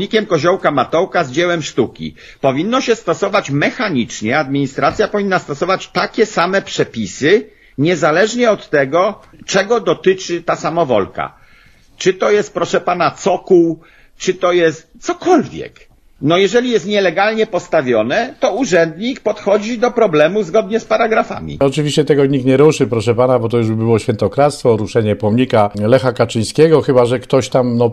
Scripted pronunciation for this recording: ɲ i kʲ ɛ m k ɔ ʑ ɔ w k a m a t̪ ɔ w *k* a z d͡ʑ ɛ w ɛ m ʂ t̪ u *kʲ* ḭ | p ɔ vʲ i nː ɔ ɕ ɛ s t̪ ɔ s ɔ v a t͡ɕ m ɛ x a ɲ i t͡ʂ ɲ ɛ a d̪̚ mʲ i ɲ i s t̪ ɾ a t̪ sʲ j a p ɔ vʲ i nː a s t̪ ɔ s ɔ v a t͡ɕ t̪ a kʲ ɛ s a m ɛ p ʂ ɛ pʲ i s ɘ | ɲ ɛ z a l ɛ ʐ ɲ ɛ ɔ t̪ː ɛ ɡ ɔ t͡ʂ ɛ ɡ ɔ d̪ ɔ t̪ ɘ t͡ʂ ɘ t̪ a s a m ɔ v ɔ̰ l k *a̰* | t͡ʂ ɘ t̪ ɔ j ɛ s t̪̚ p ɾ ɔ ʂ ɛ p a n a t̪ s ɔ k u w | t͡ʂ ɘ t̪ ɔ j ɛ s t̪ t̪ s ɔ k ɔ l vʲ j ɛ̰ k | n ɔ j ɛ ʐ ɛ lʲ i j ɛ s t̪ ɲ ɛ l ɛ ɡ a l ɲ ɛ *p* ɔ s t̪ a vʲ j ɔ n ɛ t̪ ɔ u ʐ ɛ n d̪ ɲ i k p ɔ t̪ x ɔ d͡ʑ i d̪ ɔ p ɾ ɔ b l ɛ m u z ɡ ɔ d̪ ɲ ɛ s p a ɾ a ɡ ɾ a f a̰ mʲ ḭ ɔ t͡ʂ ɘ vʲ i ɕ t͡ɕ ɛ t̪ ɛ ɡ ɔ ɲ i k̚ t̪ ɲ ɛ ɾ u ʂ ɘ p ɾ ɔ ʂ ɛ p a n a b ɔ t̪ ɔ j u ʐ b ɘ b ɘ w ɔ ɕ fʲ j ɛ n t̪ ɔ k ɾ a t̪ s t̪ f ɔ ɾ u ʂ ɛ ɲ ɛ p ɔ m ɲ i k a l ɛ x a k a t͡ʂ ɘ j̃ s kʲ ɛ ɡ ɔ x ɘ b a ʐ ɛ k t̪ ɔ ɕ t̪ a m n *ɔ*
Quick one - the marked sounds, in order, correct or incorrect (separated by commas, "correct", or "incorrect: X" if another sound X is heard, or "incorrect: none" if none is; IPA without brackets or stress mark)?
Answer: correct, correct, correct, correct, correct